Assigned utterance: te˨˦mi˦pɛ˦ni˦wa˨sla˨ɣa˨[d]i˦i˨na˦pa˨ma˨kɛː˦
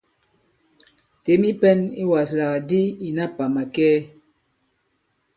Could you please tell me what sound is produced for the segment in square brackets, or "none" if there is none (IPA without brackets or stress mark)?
d